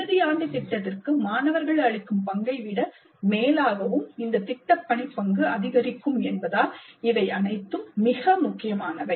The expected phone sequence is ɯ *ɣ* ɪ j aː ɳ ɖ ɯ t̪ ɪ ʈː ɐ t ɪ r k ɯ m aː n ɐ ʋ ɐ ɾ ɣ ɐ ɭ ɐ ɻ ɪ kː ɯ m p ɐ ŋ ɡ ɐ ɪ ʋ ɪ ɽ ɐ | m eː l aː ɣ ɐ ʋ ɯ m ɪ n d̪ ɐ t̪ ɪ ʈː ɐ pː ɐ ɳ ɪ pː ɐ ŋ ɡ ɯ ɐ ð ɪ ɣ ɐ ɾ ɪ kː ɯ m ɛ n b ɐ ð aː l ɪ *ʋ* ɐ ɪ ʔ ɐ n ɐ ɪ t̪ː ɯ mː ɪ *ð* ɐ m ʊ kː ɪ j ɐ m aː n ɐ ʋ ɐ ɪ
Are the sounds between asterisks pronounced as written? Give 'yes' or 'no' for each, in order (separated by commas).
no, yes, no